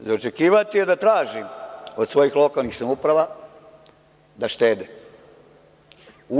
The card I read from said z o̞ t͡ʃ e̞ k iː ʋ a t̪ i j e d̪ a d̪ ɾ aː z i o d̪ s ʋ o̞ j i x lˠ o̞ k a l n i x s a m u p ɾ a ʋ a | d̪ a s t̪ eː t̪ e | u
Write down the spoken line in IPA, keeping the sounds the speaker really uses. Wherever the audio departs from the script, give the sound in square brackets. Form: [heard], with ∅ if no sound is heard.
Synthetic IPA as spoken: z o̞ t͡ʃ e̞ k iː ʋ a t̪ i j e d̪ a [t̪] ɾ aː [ʒ] i o d̪ s ʋ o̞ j i x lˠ o̞ k a l n i x s a m u p ɾ a ʋ a | d̪ a [ʃ] t̪ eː [d̪] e | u